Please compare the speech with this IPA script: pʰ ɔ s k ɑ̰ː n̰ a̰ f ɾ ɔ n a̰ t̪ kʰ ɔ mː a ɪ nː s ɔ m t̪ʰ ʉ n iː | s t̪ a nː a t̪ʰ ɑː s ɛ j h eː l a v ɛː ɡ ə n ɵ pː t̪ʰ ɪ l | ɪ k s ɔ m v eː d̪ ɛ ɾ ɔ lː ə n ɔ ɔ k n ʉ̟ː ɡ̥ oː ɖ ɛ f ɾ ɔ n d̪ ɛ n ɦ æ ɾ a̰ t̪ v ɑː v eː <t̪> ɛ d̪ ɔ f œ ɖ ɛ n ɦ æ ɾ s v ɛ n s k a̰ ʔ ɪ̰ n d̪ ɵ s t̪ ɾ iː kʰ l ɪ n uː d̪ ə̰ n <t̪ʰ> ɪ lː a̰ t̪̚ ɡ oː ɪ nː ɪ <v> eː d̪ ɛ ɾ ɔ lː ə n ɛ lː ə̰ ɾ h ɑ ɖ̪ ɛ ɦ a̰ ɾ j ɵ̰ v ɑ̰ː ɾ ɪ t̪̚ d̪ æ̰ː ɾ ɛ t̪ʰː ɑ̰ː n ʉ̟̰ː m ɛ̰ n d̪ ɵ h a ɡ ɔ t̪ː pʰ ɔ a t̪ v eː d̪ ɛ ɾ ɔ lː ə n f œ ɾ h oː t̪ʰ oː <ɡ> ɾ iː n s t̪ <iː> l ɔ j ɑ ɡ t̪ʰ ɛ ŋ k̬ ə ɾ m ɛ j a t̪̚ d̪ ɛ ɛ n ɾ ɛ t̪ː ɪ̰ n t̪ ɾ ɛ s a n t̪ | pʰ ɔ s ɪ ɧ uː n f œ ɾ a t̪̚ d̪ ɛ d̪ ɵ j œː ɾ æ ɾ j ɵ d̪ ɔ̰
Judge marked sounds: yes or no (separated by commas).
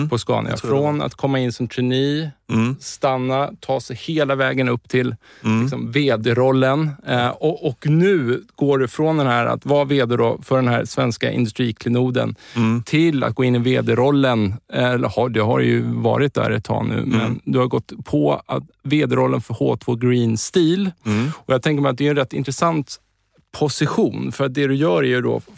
no, yes, yes, yes, yes